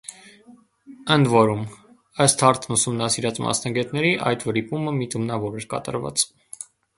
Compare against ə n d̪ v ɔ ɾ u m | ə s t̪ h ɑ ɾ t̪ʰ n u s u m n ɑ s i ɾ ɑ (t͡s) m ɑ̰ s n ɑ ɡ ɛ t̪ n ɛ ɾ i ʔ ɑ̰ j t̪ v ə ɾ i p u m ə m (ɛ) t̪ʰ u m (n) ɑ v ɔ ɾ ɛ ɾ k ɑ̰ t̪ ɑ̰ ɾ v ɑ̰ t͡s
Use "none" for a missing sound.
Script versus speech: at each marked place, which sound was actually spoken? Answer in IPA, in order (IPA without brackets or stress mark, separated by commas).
t͡s, i, n